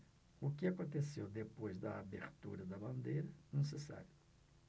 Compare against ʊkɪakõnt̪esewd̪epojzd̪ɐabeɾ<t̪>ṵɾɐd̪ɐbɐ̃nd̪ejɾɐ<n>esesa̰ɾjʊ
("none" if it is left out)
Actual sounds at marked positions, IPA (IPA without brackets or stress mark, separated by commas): t̪, n